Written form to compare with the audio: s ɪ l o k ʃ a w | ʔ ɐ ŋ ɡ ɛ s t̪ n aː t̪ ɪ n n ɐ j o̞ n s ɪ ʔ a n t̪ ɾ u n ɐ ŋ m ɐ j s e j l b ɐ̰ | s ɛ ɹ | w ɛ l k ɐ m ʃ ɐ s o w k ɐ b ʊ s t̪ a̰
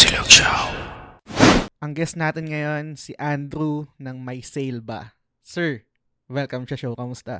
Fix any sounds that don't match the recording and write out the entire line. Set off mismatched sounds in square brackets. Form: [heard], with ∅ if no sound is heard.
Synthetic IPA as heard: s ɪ l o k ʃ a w | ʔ ɐ ŋ ɡ ɛ s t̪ n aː t̪ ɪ n [ŋ] ɐ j o̞ n s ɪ ʔ a n [d̪] ɾ u n ɐ ŋ m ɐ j s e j l b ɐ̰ | s ɛ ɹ | w ɛ l k ɐ m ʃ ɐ [ʃ] o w k ɐ [m] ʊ s t̪ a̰